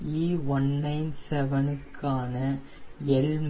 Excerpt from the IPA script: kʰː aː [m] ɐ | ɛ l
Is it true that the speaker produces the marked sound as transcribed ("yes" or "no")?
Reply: no